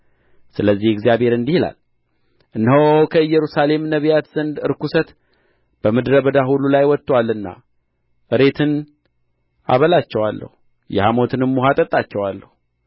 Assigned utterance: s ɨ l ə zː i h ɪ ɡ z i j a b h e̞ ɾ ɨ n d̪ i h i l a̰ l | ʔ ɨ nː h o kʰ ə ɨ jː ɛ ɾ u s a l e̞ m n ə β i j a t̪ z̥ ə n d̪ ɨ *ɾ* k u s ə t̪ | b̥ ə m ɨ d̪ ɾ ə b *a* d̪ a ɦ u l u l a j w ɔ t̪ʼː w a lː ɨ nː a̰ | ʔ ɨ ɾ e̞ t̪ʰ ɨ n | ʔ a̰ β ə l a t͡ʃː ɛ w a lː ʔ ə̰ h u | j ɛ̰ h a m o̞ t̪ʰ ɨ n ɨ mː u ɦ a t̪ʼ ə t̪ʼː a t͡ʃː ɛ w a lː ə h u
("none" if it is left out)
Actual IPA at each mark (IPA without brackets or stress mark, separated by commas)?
ɾ, ə